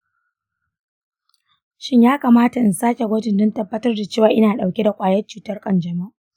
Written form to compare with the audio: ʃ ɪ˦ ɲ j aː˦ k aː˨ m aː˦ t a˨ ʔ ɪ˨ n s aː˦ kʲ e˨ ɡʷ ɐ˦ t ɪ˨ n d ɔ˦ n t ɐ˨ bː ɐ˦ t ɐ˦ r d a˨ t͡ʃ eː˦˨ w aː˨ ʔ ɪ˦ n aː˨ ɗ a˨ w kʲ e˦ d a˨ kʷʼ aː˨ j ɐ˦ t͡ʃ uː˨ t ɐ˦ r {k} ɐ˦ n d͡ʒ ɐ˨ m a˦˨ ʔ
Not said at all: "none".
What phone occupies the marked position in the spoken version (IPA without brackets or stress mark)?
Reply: kʼ